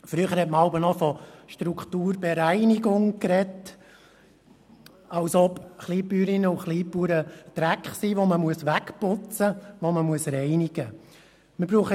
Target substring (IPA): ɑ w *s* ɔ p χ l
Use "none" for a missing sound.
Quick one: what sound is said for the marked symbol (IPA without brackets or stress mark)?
s